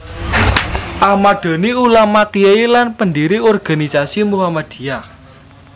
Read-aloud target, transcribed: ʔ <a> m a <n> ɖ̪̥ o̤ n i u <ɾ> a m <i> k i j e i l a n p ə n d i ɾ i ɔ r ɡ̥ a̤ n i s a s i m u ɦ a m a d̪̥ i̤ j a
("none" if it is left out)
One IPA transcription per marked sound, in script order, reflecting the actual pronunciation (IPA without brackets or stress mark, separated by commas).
a, none, l, a